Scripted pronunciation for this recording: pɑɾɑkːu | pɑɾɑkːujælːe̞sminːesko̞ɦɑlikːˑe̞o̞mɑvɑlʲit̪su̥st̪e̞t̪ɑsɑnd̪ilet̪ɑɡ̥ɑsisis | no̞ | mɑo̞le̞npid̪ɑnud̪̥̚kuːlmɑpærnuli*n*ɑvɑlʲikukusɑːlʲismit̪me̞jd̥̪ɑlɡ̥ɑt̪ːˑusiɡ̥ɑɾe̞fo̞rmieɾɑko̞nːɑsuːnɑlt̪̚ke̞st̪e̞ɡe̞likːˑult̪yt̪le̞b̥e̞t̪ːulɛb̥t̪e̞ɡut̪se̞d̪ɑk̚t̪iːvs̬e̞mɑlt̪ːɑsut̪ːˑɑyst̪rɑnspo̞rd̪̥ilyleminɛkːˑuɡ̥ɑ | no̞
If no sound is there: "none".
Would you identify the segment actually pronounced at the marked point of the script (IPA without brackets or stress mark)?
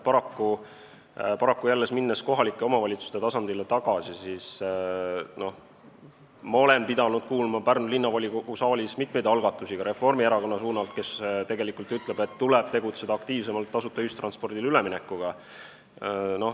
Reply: nː